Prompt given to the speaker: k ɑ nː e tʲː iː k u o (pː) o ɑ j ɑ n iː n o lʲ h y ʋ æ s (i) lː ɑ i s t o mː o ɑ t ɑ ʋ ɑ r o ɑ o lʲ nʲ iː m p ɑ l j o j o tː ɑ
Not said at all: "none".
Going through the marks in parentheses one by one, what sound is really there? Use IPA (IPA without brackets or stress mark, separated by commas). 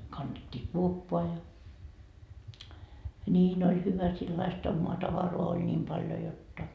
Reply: pː, i